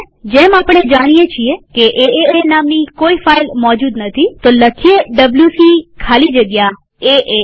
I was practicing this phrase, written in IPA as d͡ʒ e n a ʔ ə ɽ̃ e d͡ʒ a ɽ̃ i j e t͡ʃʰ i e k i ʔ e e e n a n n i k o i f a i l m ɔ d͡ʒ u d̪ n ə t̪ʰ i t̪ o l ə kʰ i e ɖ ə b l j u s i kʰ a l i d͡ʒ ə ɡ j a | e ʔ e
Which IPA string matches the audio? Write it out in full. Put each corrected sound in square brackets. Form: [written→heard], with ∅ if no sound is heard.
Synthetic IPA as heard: d͡ʒ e [n→m] a [ʔ→p] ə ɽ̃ e d͡ʒ a ɽ̃ i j e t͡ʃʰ i e k [i→e] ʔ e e e n a [n→m] n i k o i f a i l m ɔ d͡ʒ u d̪ n ə t̪ʰ i t̪ o l ə kʰ i e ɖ ə b l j u s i kʰ a l i d͡ʒ ə ɡ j a | e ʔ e